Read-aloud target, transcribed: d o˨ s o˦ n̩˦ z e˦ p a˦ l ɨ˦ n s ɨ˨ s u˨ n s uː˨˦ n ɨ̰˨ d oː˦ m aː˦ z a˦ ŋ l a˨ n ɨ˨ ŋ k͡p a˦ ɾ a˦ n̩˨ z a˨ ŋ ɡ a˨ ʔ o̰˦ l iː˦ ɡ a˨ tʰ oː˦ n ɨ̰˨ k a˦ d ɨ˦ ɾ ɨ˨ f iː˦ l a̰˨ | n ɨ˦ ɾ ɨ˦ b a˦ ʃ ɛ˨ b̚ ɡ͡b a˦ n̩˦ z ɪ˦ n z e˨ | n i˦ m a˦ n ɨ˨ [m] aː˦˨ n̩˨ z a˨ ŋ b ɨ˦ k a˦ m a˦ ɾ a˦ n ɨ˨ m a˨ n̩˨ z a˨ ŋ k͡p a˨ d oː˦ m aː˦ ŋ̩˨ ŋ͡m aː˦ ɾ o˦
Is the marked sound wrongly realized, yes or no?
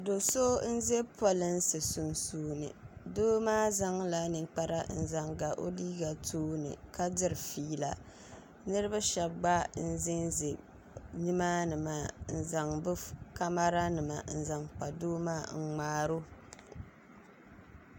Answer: no